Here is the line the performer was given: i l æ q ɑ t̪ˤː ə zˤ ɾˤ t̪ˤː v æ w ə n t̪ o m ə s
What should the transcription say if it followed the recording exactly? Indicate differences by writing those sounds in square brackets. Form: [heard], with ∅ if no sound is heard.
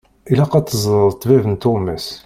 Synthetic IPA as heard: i l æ q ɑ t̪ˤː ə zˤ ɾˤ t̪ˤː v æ [v] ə n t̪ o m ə s